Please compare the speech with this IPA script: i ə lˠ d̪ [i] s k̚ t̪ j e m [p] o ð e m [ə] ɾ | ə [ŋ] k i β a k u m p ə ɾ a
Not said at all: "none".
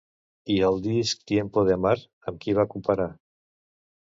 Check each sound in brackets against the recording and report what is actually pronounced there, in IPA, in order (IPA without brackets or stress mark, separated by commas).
i, p, a, m